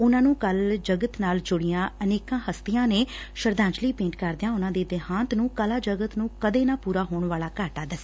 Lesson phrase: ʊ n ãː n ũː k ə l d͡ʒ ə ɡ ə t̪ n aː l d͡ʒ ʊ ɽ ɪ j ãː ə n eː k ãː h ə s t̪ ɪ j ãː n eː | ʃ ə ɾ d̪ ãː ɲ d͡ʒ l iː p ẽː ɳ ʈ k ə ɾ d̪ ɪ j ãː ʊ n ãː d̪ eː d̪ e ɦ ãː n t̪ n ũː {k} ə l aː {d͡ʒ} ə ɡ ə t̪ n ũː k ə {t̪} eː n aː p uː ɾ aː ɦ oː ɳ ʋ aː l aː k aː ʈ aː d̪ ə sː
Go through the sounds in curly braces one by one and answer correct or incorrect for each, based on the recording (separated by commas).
correct, correct, incorrect